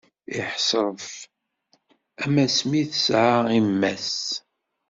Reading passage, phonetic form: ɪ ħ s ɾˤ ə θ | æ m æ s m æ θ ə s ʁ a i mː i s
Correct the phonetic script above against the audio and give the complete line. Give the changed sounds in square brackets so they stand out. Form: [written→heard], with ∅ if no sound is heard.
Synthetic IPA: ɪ ħ s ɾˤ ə [θ→f] | æ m æ s m [æ→i] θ ə s [ʁ→ʕ] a i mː [i→æ] s